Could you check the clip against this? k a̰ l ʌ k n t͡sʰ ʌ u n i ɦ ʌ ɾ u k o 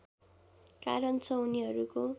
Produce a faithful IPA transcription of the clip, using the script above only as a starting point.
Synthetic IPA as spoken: k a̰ ɾ ʌ n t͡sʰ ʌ u n i ɦ ʌ ɾ u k o